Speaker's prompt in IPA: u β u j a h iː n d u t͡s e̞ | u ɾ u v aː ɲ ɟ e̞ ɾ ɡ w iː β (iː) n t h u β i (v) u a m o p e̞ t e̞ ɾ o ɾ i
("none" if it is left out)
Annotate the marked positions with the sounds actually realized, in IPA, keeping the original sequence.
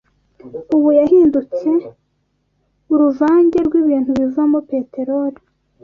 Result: iː, v

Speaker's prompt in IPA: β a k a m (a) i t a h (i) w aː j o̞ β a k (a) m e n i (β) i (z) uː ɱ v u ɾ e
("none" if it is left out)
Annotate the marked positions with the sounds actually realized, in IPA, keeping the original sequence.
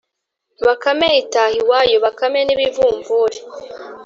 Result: e, i, a, β, v

